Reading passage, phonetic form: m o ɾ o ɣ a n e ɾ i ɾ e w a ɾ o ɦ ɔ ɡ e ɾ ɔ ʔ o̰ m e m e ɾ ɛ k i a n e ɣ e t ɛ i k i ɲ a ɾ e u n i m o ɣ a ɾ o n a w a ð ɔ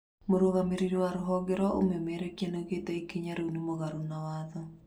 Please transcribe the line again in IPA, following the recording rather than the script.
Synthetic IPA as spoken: m o ɾ o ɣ a m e ɾ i ɾ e w a ɾ o ɦ ɔ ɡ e ɾ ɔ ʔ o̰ m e m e ɾ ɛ k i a n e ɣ e t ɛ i k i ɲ a ɾ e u n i m o ɣ a ɾ o n a w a ð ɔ